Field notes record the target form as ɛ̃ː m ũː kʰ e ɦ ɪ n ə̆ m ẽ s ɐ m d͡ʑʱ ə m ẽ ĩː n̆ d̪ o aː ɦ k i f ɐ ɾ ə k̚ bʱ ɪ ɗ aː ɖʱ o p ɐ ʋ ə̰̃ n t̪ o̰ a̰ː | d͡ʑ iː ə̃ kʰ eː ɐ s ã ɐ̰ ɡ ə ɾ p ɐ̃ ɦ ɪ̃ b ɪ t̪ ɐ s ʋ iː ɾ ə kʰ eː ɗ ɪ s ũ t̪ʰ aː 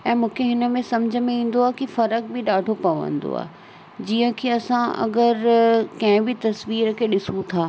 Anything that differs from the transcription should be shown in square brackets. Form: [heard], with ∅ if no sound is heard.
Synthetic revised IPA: ɛ̃ː m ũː kʰ e ɦ ɪ n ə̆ m ẽ s ɐ m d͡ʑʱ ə m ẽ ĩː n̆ d̪ o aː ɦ k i f ɐ ɾ ə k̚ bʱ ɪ ɗ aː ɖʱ o p ɐ ʋ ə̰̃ n [d̪] o̰ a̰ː | d͡ʑ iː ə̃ kʰ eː ɐ s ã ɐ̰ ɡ ə ɾ [k] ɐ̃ ɦ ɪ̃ b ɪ t̪ ɐ s ʋ iː ɾ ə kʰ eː ɗ ɪ s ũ t̪ʰ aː